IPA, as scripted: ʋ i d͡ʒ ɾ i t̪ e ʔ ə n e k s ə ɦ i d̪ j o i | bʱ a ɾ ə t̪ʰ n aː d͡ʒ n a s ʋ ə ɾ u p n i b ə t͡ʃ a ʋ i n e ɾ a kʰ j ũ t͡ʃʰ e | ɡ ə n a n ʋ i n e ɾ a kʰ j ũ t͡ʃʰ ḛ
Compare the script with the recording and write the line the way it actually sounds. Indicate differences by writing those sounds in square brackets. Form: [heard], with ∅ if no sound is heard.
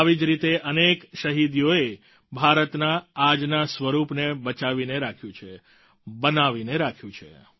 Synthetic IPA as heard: ʋ i d͡ʒ ɾ i t̪ e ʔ ə n e k [ʃ] ə ɦ i d̪ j o [e] | bʱ a ɾ ə [t̪] n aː d͡ʒ n a s ʋ ə ɾ u p n [e] b ə t͡ʃ a ʋ i n e ɾ a kʰ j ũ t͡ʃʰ e | [b] ə n a [∅] ʋ i n e ɾ a kʰ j ũ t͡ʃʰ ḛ